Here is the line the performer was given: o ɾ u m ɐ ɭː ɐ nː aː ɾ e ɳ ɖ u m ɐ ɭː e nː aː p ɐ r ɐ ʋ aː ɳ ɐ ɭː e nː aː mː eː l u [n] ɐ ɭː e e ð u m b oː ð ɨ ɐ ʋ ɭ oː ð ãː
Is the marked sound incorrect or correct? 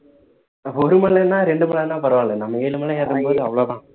incorrect